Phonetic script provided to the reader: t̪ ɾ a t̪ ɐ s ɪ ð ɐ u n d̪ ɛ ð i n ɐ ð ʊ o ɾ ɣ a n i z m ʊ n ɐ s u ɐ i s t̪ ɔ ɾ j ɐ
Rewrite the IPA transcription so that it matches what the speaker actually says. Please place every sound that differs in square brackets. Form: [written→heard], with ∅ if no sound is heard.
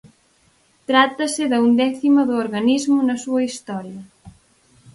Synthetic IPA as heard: t̪ ɾ a t̪ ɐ s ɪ ð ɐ u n d̪ ɛ [ð→θ] i [n→m] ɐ ð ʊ o ɾ ɣ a n i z m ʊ n ɐ s u ɐ i s t̪ ɔ ɾ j ɐ